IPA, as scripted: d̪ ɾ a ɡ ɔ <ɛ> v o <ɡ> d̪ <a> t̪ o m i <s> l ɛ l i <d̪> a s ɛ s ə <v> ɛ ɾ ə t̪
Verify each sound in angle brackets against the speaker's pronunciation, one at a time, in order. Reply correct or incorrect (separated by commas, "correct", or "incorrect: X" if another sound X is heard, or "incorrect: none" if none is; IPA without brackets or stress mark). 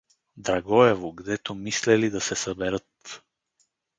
correct, correct, incorrect: ɛ, correct, correct, incorrect: b